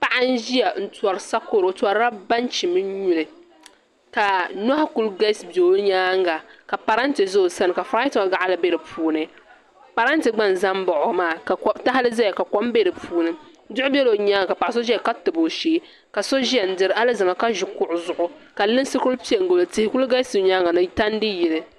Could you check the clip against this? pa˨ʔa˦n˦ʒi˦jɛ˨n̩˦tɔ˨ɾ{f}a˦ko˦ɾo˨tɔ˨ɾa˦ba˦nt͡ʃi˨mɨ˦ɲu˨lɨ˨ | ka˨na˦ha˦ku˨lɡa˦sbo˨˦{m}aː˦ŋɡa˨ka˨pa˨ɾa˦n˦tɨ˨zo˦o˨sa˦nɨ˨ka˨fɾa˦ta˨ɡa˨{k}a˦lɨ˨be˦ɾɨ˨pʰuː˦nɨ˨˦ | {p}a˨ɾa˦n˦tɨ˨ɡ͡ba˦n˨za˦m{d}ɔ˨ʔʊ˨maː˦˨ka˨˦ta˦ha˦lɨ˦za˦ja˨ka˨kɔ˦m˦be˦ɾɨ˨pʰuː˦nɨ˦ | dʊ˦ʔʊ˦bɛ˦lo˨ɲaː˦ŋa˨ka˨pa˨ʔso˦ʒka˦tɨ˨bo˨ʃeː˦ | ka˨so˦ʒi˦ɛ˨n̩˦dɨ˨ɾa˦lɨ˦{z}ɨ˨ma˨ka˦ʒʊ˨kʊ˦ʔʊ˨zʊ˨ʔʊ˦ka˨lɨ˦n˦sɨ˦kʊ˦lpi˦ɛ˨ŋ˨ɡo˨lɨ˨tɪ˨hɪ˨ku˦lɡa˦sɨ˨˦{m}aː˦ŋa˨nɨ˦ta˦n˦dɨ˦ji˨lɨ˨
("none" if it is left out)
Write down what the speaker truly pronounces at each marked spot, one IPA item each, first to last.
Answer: s, ɲ, ʔ, p, b, z, ɲ

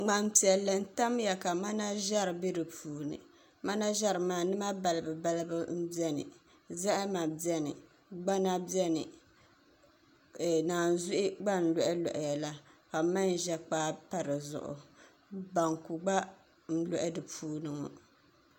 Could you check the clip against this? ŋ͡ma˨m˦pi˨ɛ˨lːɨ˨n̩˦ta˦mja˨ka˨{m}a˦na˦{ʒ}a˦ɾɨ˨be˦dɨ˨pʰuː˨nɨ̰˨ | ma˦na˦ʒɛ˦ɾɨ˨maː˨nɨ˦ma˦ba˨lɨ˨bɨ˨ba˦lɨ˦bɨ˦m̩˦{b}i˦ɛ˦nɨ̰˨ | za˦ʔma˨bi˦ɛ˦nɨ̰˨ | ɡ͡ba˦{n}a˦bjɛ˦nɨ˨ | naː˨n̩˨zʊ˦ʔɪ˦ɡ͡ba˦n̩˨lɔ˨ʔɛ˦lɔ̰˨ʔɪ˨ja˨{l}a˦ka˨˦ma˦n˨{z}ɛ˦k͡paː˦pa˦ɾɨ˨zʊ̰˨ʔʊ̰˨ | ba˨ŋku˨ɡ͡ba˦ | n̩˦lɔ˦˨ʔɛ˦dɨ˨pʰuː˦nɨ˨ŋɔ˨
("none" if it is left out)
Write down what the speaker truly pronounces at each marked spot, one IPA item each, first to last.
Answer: m, ʒ, b, n, l, ʒ

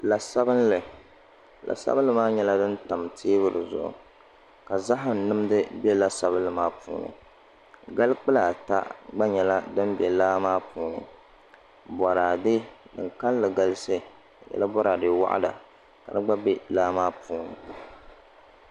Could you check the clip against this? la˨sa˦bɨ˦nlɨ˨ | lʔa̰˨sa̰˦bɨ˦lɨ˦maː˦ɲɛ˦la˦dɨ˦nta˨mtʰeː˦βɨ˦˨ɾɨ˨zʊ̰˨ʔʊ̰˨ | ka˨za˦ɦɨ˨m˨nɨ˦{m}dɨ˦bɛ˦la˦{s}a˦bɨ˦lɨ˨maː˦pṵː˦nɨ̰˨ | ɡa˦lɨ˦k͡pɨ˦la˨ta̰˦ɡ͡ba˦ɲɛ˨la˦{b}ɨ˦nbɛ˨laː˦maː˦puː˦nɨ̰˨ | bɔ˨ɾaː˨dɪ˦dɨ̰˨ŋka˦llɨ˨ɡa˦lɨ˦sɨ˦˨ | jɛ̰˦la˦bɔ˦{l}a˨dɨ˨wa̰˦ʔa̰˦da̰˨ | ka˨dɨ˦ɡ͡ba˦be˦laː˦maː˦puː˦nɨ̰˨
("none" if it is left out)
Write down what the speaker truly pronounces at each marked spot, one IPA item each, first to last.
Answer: m, s, d, ɾ

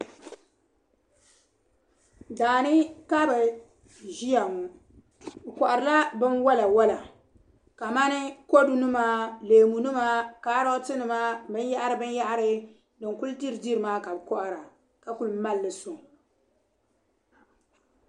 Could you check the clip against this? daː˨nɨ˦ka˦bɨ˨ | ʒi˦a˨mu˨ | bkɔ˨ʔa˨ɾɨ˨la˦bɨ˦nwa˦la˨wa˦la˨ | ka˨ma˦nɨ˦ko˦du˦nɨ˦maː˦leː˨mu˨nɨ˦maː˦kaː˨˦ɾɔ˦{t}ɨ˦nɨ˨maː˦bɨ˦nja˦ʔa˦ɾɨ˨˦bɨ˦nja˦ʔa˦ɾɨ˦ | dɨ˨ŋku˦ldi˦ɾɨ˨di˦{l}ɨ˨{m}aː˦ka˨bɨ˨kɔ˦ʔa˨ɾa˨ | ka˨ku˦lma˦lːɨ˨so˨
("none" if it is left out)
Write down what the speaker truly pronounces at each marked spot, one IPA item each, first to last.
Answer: t, ɾ, m

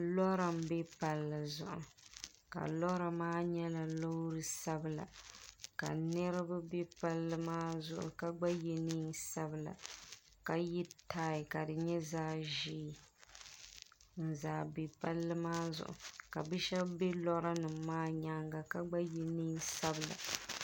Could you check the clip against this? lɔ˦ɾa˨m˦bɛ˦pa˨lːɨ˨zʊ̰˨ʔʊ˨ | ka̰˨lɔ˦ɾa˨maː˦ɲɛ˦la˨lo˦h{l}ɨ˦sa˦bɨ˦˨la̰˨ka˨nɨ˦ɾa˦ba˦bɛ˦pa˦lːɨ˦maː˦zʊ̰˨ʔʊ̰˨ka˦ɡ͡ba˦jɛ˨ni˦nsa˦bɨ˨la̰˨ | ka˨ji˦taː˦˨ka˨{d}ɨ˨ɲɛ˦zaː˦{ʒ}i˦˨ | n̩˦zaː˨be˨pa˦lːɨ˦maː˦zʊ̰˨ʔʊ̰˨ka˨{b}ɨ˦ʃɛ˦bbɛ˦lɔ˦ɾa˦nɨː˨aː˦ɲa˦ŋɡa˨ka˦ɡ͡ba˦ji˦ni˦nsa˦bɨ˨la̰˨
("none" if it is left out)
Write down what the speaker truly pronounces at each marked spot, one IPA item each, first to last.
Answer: ɾ, d, ʒ, b

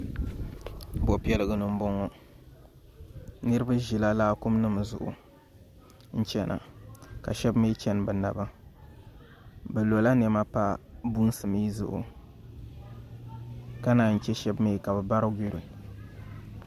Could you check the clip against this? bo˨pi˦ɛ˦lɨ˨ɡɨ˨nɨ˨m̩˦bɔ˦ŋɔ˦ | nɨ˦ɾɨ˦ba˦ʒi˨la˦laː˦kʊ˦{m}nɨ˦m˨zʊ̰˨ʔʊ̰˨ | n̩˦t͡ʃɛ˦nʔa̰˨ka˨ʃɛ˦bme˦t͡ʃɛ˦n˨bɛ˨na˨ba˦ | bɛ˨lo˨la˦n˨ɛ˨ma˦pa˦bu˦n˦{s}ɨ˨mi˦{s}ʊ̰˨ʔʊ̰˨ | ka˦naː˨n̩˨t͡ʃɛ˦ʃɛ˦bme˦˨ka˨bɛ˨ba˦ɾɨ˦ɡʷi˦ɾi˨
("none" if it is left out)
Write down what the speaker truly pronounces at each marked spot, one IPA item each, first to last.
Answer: m, s, z

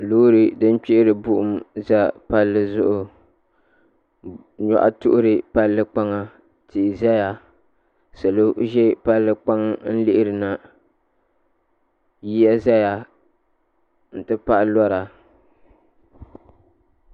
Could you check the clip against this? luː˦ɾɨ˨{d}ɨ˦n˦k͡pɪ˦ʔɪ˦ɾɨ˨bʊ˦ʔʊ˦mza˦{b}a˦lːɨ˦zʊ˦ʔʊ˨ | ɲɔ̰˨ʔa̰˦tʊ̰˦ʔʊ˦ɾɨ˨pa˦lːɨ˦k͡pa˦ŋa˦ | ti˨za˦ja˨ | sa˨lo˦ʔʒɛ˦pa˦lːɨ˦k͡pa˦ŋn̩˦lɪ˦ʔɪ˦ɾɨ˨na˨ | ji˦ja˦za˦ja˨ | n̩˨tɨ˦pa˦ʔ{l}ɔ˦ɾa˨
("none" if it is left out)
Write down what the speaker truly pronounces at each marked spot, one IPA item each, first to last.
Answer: d, p, l

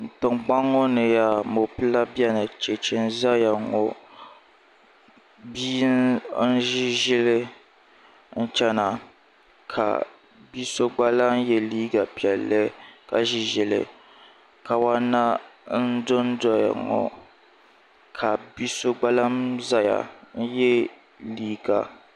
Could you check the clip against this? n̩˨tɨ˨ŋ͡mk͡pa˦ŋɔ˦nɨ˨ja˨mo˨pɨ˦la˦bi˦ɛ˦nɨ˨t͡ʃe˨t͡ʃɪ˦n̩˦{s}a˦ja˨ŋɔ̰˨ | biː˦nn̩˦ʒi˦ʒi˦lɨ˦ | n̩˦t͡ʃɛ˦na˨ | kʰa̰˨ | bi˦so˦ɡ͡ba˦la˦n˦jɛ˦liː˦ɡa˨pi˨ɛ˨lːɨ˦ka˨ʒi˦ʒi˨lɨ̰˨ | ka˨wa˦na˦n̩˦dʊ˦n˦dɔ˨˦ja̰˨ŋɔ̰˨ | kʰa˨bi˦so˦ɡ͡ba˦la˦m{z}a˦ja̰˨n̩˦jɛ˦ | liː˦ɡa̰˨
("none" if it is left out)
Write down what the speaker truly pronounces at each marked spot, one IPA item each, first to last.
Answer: z, z

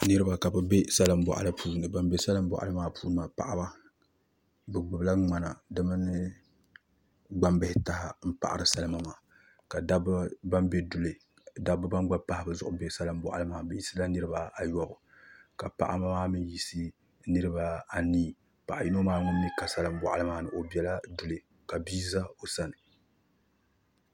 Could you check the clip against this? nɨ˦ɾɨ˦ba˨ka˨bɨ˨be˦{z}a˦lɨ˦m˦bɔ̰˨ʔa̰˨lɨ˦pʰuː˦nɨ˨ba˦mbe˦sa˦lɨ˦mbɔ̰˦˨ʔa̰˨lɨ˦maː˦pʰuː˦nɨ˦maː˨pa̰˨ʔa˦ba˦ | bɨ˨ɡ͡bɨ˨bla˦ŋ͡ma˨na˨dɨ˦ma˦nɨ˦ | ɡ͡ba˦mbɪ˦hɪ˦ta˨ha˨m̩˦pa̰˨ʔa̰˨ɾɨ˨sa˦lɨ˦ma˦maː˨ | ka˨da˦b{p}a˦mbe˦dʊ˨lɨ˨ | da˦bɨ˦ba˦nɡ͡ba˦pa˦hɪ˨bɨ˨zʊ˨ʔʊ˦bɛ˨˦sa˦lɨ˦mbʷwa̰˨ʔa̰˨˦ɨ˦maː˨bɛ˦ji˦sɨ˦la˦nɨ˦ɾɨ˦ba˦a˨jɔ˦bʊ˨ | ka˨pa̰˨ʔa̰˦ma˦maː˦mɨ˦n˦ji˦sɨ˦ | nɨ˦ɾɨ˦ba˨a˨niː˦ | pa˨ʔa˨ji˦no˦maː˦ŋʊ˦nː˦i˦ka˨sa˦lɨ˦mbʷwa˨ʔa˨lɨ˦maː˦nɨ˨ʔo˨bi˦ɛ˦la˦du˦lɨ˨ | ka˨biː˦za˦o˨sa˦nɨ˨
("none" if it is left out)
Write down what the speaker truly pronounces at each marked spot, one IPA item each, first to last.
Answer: s, b

